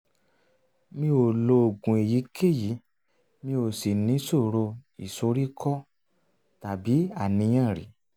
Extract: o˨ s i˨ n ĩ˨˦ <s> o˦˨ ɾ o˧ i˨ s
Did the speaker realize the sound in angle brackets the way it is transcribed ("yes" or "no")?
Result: yes